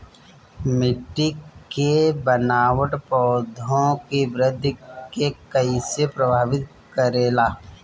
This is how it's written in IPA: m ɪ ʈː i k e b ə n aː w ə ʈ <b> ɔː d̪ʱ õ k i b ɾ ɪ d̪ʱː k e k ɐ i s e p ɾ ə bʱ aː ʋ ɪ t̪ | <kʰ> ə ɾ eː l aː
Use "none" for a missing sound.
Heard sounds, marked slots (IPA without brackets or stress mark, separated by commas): p, k